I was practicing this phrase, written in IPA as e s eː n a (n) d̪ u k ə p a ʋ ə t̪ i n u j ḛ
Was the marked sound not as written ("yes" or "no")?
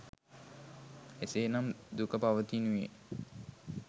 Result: yes